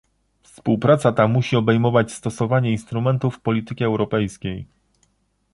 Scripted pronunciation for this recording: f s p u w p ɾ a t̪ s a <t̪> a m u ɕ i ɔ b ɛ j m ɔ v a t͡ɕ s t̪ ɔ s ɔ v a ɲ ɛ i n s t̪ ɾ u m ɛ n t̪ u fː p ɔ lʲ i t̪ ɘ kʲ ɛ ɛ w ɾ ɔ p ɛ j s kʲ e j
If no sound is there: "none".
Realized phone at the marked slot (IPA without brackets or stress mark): t̪